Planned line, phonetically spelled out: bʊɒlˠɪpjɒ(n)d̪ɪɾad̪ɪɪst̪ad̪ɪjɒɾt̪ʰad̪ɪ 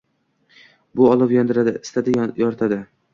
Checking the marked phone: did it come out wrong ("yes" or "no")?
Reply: no